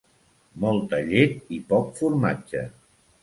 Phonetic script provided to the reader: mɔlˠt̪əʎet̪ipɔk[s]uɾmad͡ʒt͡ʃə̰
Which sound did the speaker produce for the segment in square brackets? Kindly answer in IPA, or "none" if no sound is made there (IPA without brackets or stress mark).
f